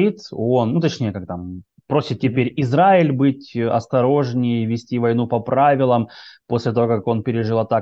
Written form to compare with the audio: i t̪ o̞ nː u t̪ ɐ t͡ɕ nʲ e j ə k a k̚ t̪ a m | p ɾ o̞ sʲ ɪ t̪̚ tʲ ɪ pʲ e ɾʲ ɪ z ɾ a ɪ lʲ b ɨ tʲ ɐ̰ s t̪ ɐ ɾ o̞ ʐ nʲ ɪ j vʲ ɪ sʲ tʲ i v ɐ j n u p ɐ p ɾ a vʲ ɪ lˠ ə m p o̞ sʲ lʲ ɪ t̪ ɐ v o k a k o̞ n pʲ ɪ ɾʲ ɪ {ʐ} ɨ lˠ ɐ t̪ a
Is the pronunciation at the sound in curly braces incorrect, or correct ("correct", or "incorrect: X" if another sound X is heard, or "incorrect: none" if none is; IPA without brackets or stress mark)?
correct